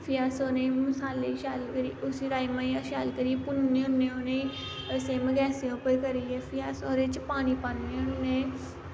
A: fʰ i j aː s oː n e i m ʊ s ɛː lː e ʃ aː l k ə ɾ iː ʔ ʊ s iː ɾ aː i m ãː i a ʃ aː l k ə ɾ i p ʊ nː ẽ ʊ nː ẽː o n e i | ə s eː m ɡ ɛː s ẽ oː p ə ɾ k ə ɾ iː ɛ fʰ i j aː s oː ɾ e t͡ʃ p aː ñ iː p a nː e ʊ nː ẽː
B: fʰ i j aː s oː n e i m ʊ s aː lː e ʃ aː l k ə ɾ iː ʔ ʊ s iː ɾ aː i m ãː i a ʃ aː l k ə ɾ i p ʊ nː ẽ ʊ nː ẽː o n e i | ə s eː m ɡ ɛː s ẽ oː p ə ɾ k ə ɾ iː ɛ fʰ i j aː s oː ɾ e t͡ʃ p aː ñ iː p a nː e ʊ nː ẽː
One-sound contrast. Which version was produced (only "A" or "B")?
B